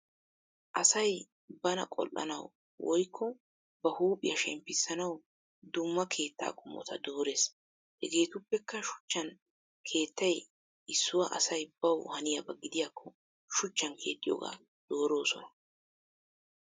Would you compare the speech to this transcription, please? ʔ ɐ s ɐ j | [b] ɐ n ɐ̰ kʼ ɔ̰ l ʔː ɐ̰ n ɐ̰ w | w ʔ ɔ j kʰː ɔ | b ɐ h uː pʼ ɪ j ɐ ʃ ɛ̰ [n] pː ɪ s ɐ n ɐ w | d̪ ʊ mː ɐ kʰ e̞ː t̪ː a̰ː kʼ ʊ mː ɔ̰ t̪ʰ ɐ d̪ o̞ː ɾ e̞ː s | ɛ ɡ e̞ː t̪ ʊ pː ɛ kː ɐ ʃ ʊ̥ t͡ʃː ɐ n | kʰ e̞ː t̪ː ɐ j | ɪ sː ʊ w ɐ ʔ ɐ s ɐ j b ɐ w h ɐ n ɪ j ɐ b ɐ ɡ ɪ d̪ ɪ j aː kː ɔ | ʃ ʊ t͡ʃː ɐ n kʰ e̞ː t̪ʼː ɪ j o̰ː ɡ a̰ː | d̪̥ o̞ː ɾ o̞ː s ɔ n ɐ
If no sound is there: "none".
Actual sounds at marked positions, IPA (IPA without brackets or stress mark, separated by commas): b, m